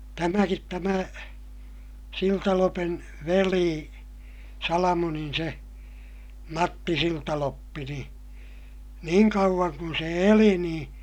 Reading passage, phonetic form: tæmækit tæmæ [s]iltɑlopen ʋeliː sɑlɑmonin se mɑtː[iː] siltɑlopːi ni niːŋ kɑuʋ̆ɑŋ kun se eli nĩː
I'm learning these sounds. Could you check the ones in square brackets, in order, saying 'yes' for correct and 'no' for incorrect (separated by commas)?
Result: yes, no